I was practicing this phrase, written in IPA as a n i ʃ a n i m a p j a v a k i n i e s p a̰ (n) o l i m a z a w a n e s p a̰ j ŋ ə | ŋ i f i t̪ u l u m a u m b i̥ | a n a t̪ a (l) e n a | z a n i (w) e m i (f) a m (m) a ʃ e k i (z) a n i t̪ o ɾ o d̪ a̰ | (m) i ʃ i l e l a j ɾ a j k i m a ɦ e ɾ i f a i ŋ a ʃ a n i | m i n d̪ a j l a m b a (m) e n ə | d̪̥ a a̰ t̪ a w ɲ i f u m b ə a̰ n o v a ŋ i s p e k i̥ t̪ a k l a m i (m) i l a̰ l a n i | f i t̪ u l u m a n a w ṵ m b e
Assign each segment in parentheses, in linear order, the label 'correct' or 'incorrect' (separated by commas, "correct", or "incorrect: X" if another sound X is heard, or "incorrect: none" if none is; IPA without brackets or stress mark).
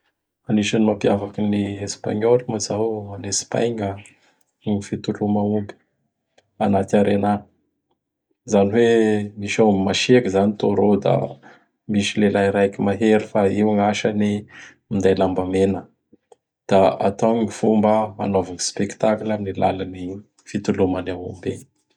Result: incorrect: ɲ, incorrect: ɾ, correct, incorrect: ʃ, correct, correct, correct, correct, incorrect: n